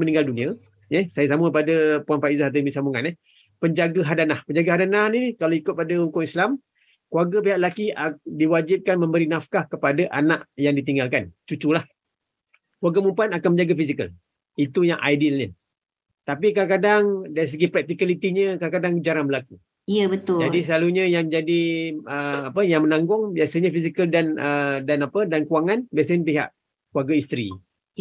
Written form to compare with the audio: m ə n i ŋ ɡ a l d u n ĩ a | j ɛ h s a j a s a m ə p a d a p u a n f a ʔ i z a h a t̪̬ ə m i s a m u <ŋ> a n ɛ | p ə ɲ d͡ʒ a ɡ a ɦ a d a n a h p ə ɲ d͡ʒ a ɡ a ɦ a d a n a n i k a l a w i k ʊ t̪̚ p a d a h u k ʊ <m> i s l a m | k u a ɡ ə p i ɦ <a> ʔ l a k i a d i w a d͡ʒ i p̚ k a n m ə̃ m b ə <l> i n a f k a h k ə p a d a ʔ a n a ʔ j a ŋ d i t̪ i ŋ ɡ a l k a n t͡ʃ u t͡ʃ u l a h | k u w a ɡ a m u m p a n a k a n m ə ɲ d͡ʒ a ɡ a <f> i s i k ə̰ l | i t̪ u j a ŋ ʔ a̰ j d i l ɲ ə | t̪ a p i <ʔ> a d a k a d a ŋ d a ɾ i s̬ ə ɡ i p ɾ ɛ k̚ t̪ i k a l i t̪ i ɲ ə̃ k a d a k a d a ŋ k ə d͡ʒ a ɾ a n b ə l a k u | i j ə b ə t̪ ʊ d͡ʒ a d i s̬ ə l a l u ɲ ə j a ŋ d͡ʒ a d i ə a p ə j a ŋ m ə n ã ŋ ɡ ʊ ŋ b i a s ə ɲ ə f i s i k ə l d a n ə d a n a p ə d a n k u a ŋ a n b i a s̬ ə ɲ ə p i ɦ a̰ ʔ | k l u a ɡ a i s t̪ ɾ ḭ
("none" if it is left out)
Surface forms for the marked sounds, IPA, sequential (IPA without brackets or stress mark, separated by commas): ŋ, ŋ, a, ɾ, f, k